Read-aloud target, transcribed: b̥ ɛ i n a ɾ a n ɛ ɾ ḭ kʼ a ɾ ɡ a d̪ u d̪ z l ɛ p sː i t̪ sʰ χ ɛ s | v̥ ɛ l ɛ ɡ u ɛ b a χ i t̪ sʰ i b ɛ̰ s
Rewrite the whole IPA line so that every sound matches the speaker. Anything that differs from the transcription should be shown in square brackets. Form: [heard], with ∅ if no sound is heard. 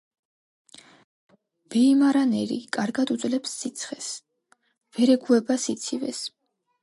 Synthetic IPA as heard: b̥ ɛ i [m] a ɾ a n ɛ ɾ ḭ kʼ a ɾ ɡ a d̪ u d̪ z l ɛ p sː i t̪ sʰ χ ɛ s | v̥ ɛ [ɾ] ɛ ɡ u ɛ b a [s] i t̪ sʰ i [v] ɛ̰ s